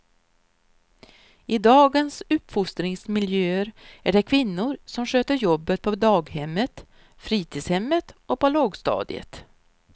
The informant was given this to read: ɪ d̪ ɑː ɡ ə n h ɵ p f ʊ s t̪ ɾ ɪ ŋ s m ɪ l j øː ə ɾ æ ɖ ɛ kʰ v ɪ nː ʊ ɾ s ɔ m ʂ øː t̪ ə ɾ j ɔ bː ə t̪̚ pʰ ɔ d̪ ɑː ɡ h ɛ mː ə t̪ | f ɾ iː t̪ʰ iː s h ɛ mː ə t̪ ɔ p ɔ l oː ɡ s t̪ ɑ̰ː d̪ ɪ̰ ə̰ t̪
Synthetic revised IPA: ɪ d̪ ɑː ɡ ə n s ɵ p f ʊ s t̪ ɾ ɪ ŋ s m ɪ l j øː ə ɾ æ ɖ ɛ kʰ v ɪ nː ʊ ɾ s ɔ m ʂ øː t̪ ə ɾ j ɔ bː ə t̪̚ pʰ ɔ d̪ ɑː ɡ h ɛ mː ə t̪ | f ɾ iː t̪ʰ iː s h ɛ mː ə t̪ ɔ p ɔ l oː ɡ s t̪ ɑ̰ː d̪ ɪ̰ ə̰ t̪